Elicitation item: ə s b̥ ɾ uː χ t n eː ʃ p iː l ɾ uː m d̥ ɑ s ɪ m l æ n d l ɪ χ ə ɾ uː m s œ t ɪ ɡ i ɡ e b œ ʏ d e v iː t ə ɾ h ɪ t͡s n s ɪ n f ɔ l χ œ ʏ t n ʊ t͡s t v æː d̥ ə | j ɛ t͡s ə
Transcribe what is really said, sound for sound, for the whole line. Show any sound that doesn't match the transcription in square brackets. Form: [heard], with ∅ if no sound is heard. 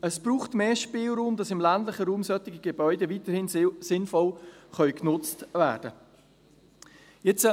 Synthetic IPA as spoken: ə s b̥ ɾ uː χ t [m] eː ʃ p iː l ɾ uː m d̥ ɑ s ɪ m l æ n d l ɪ χ ə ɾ uː m s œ t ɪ ɡ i ɡ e b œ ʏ d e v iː t ə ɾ h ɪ [∅] n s ɪ n f ɔ l χ œ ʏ [k] n ʊ t͡s t v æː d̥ ə | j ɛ t͡s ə